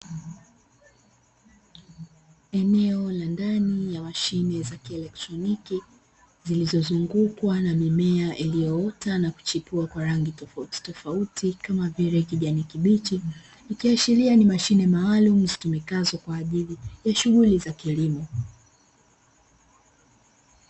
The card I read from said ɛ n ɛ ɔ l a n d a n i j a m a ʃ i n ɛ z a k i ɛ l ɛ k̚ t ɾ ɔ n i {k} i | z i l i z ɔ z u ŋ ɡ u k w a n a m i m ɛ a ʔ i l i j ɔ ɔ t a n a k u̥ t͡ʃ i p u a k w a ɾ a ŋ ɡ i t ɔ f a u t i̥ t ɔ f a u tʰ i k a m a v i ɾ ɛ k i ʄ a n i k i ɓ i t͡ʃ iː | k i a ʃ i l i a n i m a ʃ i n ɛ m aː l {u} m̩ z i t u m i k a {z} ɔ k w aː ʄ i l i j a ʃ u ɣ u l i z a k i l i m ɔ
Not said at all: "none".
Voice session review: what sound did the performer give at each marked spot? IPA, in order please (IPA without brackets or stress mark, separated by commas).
k, u, z